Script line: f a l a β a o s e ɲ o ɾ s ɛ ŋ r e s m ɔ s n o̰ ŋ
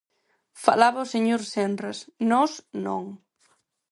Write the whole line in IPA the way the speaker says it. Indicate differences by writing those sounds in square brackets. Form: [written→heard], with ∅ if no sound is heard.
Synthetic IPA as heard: f a l a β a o s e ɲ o ɾ s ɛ [ŋ→n] r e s [m→n] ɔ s n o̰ ŋ

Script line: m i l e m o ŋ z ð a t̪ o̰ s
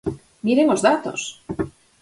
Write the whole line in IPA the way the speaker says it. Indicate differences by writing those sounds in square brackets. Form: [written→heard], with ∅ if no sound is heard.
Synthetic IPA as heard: m i [l→ɾ] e [m→ŋ] o [ŋ→∅] z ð a t̪ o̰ s

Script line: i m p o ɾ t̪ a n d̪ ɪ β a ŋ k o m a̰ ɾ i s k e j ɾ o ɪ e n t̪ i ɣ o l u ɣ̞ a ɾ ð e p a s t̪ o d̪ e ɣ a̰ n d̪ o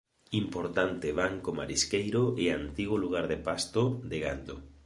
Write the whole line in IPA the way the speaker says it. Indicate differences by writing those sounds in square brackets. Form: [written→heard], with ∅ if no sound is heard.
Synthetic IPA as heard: i m p o ɾ t̪ a n [d̪→t̪] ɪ β a ŋ k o m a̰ ɾ i s k e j ɾ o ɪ [e→a] n t̪ i ɣ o l u ɣ̞ a ɾ ð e p a s t̪ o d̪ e ɣ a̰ n d̪ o

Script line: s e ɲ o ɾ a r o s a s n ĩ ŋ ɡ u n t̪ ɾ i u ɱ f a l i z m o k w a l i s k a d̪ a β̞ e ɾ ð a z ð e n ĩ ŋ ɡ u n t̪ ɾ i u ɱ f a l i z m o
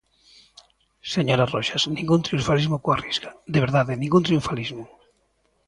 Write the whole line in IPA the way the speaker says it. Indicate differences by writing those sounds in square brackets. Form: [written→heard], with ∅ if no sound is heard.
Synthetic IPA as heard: s e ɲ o ɾ a r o [s→ʃ] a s n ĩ ŋ ɡ u n t̪ ɾ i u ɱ f a l i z m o k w a [l→r] i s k a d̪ [a→e] β̞ e ɾ ð a [z→∅] ð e n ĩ ŋ ɡ u n t̪ ɾ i u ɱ f a l i z m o

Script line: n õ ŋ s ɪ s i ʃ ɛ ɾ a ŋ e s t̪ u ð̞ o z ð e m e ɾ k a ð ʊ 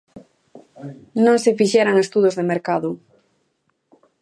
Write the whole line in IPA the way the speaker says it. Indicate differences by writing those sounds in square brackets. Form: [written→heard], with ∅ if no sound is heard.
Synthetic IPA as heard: n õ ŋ s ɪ [s→f] i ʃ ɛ ɾ a ŋ e s t̪ u ð̞ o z ð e m e ɾ k a ð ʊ

